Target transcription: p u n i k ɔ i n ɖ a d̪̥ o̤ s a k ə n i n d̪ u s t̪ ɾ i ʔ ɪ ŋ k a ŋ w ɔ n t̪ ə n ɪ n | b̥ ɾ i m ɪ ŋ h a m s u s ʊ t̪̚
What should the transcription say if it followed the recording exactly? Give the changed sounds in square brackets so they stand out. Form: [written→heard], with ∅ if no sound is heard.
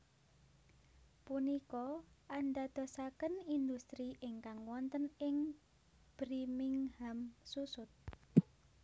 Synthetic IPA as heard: p u n i k ɔ [i→a] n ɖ a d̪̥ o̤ s a k ə n i n d̪ u s t̪ ɾ i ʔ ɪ ŋ k a ŋ w ɔ n t̪ ə n ɪ [n→ŋ] | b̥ ɾ i m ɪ ŋ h a m s u s ʊ t̪̚